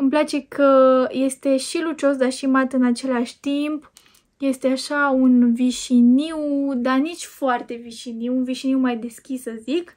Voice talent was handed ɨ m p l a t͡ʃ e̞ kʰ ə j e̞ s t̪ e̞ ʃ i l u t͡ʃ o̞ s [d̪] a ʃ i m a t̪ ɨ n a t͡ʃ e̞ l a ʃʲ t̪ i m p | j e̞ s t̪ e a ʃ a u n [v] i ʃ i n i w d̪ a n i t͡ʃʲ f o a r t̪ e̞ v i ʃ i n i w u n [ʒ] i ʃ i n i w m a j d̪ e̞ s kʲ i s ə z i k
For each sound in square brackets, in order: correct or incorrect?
correct, correct, incorrect: v

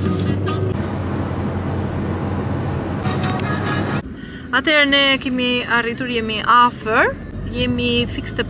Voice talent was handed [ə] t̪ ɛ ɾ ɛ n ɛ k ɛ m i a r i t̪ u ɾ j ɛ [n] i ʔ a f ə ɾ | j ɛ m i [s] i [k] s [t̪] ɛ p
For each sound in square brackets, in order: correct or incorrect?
incorrect: a, incorrect: m, incorrect: f, correct, correct

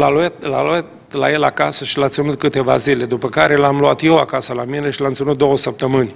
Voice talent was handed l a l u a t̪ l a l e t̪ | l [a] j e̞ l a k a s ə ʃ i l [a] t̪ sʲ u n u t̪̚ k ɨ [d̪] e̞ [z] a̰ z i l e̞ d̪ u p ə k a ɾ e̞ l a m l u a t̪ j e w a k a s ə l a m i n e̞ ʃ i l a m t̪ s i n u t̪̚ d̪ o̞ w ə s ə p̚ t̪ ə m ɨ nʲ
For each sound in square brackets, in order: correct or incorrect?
correct, correct, incorrect: t̪, incorrect: v

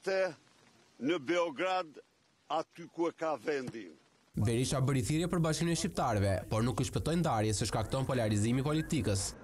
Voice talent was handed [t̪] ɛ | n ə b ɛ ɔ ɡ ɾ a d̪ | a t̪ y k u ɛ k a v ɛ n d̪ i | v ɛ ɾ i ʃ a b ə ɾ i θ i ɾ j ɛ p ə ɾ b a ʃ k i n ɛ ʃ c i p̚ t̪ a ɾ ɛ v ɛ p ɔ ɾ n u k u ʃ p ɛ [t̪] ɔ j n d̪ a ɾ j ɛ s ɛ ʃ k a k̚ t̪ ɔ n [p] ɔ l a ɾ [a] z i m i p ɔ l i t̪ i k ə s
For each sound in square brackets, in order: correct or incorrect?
correct, correct, correct, incorrect: i

